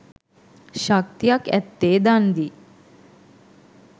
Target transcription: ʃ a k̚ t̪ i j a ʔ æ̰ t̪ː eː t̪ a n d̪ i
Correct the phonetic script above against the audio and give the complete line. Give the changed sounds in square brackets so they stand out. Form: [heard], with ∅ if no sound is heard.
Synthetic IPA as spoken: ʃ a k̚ t̪ i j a [k] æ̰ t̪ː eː [d̪] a n d̪ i